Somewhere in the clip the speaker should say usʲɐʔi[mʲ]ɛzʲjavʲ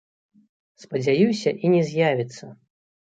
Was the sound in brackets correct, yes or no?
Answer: no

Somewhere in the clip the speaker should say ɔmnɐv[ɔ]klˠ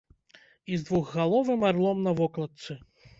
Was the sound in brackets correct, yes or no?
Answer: yes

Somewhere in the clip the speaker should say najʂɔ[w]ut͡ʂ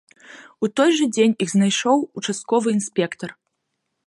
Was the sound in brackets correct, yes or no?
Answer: yes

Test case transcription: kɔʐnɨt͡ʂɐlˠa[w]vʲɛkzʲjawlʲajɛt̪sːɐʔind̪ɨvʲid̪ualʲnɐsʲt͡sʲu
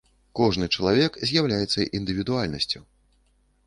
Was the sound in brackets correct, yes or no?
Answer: no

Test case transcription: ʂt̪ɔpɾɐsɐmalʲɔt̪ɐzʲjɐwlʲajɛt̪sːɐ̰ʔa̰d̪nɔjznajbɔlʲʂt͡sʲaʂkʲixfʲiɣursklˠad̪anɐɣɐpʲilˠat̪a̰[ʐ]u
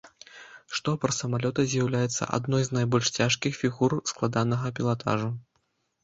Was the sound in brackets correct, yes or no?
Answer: yes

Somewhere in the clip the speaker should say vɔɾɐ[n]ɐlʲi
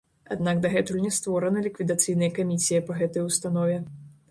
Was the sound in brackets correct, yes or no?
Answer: yes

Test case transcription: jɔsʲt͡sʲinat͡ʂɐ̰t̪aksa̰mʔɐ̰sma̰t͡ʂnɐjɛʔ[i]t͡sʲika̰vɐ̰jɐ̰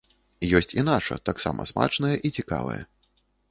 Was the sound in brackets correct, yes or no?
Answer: yes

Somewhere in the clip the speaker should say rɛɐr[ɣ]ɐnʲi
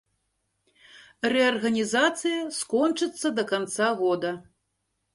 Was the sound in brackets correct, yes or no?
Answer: yes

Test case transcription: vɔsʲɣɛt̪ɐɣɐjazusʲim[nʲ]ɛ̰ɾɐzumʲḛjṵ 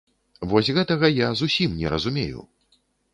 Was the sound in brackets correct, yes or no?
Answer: yes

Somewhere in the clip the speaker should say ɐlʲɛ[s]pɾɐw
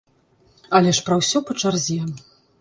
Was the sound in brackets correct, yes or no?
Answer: no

